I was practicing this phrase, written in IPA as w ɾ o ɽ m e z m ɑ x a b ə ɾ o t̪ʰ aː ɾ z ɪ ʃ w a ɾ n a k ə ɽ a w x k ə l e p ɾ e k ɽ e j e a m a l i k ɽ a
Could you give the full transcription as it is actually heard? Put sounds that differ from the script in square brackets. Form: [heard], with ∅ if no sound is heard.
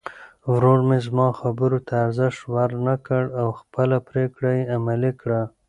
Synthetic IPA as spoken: w ɾ o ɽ m e z m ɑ x a b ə ɾ o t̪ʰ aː ɾ z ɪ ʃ w a ɾ n a k ə ɽ a w x [p] ə l [a] p ɾ e k ɽ [a] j e a m a l i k ɽ a

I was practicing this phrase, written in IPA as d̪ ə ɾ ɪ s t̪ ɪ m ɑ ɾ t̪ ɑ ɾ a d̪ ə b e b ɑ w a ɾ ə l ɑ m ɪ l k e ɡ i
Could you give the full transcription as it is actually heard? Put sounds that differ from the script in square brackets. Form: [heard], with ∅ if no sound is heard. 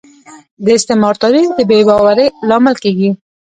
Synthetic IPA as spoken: d̪ ə [∅] ɪ s t̪ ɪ m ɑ ɾ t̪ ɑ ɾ [i] d̪ ə b e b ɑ w a ɾ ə l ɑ m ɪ l k e ɡ i

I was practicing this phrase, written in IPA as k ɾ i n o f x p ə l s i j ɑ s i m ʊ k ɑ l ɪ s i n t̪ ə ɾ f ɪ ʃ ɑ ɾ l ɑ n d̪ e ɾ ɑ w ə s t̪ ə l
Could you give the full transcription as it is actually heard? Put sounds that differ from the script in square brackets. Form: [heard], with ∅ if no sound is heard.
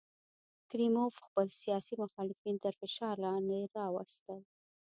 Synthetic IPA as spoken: k ɾ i [m] o f x p ə l s i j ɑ s i m ʊ [x] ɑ l ɪ [f] i n t̪ ə ɾ f ɪ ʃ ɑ ɾ l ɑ n d̪ e ɾ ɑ w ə s t̪ ə l

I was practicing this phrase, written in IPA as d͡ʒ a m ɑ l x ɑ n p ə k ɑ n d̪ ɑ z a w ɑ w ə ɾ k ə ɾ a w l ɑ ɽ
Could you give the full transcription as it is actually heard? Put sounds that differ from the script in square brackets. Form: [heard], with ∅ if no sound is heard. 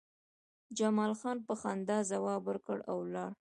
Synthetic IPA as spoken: d͡ʒ a m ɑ l x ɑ n p ə [x] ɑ n d̪ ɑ z a w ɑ [b] ə ɾ k ə [ɽ] a w l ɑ ɽ

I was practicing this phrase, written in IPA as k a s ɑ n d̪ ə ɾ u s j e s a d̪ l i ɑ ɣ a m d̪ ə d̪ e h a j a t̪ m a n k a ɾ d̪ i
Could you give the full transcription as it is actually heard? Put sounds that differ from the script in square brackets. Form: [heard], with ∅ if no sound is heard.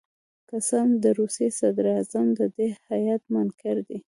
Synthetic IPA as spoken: k a s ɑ n d̪ ə ɾ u s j e s a d̪ [ɾ] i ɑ [z] a m d̪ ə d̪ e h a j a t̪ m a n k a ɾ d̪ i

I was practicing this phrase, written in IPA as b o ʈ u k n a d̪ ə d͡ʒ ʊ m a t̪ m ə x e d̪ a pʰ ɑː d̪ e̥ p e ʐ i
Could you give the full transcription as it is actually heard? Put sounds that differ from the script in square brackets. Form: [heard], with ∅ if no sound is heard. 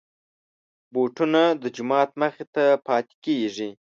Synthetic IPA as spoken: b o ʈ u [∅] n a d̪ ə d͡ʒ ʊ m [ɑ] t̪ m ə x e [t̪] a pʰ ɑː [t̪] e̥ [k] e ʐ i

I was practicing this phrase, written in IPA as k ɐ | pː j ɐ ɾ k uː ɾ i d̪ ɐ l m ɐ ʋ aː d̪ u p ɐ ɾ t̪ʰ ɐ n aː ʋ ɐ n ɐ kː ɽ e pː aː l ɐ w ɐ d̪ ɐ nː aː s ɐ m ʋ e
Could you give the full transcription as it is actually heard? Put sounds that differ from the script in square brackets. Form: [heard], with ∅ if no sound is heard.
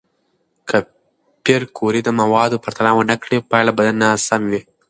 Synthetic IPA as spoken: k ɐ | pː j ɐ ɾ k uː ɾ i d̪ ɐ [∅] m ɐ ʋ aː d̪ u p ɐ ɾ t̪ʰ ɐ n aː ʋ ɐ n ɐ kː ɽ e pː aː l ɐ [b] ɐ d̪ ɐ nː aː s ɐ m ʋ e

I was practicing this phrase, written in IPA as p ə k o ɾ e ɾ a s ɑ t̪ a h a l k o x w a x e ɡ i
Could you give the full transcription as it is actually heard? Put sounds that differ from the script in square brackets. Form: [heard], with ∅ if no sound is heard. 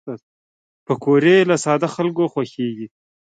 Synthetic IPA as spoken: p ə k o ɾ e [l] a s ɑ [d̪] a [x] a l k o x w a x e ɡ i

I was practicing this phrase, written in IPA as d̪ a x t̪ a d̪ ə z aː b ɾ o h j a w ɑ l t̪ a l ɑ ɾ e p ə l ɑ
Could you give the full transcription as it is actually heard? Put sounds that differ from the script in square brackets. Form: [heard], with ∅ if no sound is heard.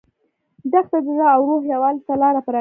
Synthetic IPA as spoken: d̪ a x t̪ a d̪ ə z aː [w] ɾ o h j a w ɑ l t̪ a l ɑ ɾ [a] p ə [ɾ] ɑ

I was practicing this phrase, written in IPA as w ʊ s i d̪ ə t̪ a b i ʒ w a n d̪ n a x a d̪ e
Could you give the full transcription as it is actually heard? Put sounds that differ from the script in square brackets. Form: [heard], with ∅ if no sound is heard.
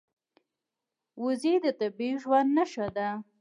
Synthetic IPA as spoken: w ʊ [z] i d̪ ə t̪ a b i ʒ w a n d̪ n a [ʃ] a d̪ [a]

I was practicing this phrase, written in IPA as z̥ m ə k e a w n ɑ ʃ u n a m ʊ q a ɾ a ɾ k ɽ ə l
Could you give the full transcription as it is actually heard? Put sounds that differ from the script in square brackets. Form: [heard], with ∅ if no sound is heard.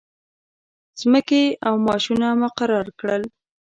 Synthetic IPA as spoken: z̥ m ə k e a w [m] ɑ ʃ u n a m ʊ q a ɾ [ɑ] ɾ k ɽ ə l

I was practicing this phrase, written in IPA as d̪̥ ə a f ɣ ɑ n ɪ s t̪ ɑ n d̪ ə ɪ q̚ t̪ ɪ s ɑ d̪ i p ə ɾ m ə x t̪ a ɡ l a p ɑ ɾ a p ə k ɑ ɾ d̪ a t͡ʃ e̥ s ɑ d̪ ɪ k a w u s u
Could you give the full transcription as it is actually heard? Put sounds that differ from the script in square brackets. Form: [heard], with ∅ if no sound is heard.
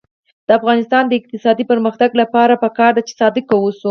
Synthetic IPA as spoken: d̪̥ ə a f ɣ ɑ n ɪ s t̪ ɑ n d̪ ə ɪ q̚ t̪ ɪ s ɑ d̪ i p ə ɾ m ə x t̪ a ɡ l a p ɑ ɾ a p ə k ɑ ɾ d̪ a t͡ʃ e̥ s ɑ d̪ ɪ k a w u s u

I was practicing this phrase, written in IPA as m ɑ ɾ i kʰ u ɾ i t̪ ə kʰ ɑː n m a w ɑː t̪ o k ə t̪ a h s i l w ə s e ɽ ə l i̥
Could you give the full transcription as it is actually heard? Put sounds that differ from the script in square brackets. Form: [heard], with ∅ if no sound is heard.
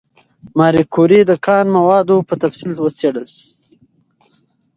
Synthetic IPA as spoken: m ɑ ɾ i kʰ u ɾ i [d̪] ə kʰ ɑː n m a w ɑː [d̪] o [p] ə t̪ a [f] s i l w ə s e ɽ ə l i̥

